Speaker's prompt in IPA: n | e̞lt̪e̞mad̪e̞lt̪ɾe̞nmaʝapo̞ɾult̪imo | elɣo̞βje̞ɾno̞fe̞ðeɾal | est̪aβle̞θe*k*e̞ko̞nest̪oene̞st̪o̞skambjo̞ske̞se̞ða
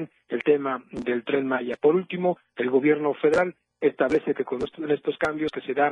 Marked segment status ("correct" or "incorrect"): correct